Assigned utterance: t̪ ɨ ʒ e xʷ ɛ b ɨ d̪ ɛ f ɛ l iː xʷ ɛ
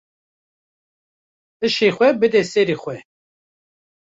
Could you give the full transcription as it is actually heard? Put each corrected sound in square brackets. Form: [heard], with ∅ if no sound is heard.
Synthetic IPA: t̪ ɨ [ʃ] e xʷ ɛ b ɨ d̪ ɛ [s] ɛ [ɾ] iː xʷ ɛ